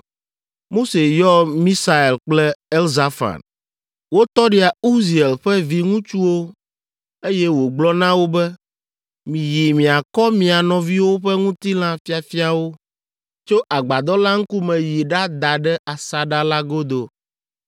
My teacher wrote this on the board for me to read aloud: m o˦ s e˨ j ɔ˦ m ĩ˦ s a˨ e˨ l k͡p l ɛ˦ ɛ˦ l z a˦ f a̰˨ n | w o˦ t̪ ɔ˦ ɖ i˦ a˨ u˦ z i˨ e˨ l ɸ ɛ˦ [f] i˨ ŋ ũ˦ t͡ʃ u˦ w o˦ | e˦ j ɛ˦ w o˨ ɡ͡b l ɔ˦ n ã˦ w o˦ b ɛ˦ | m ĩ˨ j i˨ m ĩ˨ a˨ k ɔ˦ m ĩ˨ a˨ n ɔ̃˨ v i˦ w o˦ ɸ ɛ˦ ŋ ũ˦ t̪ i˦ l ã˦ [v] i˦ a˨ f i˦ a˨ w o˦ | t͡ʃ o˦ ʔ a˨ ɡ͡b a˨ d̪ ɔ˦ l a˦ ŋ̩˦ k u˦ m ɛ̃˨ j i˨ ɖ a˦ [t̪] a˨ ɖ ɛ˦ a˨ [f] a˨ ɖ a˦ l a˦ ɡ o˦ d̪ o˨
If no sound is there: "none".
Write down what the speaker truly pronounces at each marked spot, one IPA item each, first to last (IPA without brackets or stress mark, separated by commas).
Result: v, f, d̪, s